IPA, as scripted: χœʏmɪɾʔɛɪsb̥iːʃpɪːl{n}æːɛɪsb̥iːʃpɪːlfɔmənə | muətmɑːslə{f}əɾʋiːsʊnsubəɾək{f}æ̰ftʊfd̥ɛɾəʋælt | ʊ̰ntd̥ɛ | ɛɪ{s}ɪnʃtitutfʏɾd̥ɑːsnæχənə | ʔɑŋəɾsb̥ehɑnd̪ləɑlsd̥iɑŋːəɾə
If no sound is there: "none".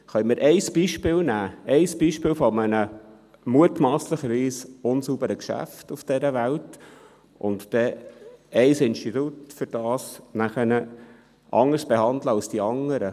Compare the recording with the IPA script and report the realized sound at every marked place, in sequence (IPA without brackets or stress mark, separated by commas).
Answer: n, χ, ʃ, s